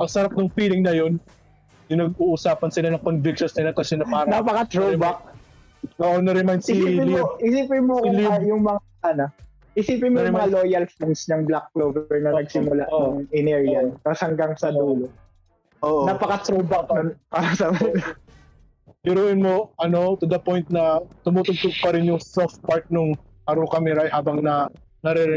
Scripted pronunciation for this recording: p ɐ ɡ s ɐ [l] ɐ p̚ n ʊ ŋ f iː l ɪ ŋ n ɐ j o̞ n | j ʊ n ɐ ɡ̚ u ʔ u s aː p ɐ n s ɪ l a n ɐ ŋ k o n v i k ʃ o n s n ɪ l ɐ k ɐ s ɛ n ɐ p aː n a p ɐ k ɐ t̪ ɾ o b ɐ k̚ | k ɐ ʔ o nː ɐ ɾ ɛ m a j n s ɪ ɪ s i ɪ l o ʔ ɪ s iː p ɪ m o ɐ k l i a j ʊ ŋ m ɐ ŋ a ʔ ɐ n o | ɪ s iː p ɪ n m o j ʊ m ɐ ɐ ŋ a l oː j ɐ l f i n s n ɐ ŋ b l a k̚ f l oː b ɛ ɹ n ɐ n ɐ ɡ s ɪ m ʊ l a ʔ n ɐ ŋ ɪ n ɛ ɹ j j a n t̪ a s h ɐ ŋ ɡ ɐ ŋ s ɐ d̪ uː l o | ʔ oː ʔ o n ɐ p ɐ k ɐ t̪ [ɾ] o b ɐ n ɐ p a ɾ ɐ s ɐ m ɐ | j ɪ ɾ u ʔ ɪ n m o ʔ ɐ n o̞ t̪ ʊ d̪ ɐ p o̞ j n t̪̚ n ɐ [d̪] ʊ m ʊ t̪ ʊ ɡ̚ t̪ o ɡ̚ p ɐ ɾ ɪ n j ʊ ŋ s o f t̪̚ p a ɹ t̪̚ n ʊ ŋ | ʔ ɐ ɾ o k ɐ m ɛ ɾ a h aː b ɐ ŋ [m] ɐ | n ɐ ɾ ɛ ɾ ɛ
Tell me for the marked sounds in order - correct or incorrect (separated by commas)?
incorrect, correct, incorrect, incorrect